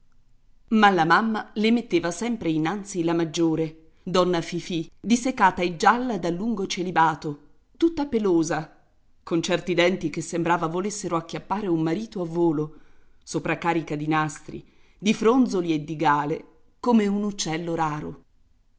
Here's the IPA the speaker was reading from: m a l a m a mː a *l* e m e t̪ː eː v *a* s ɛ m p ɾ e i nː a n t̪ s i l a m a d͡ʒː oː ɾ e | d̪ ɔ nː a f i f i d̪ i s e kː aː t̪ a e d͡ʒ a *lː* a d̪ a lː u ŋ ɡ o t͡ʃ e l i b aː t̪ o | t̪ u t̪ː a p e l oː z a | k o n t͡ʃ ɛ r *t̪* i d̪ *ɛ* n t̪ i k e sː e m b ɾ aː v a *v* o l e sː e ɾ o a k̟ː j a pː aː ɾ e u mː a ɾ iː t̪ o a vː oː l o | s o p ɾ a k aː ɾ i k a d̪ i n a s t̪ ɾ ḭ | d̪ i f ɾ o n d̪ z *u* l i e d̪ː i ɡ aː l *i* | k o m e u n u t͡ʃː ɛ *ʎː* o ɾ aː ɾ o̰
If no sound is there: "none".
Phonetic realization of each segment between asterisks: l, a, lː, t̪, ɛ, v, o, e, lː

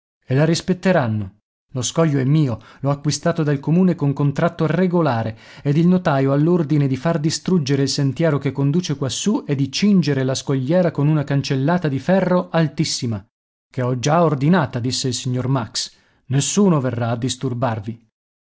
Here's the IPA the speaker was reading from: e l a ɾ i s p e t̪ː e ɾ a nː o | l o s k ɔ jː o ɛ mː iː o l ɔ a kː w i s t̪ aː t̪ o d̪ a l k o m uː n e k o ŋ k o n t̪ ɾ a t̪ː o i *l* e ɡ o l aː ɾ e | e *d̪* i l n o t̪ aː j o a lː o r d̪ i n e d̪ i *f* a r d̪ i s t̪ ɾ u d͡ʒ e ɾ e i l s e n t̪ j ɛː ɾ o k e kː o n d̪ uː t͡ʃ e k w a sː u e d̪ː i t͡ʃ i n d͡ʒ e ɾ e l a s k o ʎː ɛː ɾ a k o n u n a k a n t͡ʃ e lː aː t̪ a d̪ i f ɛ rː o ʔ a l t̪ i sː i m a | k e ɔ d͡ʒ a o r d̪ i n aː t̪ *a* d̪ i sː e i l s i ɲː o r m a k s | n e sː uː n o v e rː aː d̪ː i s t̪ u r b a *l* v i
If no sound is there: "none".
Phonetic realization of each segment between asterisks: r, d̪, f, a, r

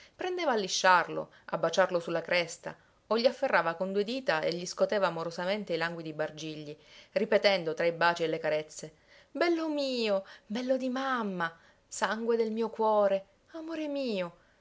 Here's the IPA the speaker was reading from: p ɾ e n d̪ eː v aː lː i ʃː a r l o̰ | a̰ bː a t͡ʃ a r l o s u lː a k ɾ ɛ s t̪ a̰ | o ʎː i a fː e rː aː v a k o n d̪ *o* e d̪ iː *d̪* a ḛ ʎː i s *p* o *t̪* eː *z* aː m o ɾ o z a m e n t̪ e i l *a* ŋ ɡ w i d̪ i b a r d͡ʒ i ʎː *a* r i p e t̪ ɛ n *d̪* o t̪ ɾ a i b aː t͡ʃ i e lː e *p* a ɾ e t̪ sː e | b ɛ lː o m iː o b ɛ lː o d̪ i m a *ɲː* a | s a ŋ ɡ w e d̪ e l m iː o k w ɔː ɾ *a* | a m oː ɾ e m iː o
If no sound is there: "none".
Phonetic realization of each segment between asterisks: u, t̪, k, t̪, v, a, i, d̪, k, mː, e

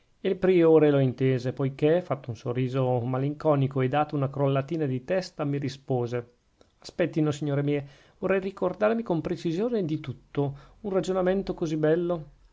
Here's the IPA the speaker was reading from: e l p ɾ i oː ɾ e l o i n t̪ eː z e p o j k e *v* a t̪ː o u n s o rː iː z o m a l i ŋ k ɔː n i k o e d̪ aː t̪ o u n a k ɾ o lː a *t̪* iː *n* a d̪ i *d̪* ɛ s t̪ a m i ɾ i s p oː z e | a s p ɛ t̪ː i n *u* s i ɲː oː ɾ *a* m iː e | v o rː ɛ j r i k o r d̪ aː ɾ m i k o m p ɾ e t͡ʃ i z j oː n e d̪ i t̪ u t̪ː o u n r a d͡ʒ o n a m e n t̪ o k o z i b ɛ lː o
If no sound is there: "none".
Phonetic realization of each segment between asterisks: f, t̪, n, t̪, o, e

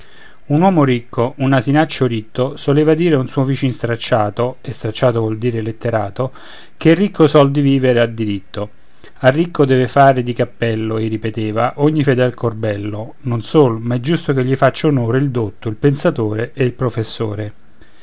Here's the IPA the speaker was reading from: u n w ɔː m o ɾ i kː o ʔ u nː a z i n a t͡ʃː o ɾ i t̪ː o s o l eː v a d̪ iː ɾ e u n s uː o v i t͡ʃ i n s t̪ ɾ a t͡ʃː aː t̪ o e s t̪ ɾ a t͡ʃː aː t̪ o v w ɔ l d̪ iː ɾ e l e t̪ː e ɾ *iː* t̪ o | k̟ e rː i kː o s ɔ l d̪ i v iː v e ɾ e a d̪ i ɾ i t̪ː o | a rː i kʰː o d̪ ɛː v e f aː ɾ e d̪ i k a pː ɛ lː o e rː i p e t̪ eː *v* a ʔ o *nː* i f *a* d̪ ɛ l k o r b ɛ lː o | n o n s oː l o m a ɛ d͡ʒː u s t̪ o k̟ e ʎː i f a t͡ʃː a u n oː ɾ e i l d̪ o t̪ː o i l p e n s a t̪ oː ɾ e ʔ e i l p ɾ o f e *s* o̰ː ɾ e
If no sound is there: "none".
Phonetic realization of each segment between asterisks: aː, v, ɲː, e, sː

